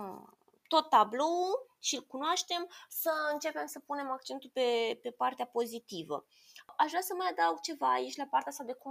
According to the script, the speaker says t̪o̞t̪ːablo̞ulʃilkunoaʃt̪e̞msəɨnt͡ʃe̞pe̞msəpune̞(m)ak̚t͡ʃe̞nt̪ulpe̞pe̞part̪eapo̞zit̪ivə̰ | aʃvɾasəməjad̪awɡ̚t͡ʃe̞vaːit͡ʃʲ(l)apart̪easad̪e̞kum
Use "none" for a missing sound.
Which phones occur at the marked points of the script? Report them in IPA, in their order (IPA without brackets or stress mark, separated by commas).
m, l